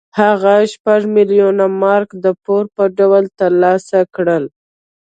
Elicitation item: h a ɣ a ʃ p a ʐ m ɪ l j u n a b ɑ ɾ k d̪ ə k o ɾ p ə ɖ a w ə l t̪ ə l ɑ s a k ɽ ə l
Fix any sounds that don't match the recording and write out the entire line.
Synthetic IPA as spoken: h a ɣ a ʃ p a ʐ m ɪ l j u n a m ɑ ɾ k d̪ ə p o ɾ p ə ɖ a w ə l t̪ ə l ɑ s a k ɽ ə l